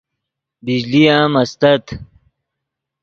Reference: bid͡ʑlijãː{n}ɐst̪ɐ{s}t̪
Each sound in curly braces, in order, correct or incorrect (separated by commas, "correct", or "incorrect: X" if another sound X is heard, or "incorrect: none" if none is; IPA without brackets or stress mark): incorrect: m, incorrect: none